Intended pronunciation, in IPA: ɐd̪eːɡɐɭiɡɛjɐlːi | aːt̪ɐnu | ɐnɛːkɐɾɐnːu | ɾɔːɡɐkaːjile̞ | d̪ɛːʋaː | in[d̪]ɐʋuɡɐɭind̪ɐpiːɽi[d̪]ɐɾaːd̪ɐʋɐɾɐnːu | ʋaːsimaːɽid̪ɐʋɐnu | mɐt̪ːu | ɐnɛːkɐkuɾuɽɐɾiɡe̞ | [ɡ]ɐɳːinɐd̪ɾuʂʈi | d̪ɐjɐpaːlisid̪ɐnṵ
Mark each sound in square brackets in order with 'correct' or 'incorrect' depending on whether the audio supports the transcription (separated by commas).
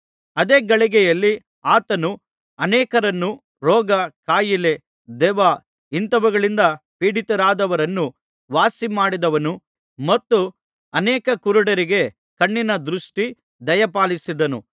incorrect, incorrect, incorrect